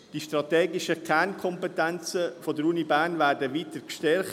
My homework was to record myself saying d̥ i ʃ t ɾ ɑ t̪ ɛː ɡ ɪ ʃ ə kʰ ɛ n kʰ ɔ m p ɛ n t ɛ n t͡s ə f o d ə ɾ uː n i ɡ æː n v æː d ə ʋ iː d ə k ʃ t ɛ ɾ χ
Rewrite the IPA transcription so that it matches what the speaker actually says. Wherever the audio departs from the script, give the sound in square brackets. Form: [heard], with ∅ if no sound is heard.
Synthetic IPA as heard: d̥ i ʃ t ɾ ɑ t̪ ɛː ɡ ɪ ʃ ə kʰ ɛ n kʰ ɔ m p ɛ [∅] t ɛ n t͡s ə f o d ə ɾ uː n i [b] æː n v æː d ə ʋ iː [t] ə k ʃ t ɛ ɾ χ